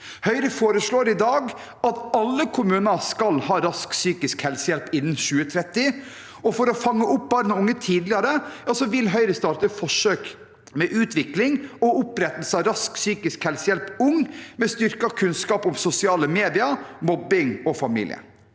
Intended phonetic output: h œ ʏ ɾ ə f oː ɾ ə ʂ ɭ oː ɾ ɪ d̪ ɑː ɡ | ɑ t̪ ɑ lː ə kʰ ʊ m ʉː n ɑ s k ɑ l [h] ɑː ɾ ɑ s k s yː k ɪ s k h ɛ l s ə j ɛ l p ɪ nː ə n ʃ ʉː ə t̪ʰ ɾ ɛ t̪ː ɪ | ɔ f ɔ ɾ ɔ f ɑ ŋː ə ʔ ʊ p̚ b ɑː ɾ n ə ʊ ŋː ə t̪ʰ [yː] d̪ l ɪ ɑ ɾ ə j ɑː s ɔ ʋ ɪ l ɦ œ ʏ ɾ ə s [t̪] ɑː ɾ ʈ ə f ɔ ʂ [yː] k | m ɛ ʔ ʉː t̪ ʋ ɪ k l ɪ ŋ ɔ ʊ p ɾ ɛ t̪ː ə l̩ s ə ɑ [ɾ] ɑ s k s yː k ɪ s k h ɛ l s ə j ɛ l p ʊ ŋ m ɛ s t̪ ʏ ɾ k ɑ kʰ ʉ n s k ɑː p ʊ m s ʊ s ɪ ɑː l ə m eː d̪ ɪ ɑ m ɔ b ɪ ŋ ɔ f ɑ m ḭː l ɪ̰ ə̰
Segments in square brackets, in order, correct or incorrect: correct, incorrect: iː, correct, incorrect: øː, correct

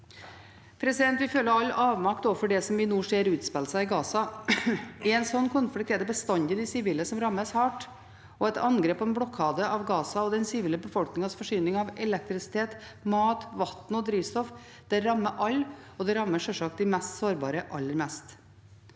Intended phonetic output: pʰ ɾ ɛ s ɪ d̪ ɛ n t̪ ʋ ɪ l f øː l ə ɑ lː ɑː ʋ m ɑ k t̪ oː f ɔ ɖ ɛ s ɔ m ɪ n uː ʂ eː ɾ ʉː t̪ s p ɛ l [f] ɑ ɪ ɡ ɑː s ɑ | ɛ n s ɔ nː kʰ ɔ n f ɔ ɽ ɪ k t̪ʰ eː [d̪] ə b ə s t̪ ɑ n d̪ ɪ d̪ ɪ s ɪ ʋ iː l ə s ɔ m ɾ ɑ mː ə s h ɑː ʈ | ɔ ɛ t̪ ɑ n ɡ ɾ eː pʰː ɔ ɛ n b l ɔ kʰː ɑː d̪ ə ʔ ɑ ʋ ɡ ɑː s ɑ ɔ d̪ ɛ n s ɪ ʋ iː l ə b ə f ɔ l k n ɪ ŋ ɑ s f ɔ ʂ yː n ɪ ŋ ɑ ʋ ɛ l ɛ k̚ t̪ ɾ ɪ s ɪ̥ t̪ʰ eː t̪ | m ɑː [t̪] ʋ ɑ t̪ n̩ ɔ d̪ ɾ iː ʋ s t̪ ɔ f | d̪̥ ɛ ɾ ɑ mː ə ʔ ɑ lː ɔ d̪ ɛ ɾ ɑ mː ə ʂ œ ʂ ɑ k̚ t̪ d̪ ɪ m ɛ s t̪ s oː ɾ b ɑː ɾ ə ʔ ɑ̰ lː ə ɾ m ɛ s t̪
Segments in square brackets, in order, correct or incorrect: incorrect: s, correct, correct

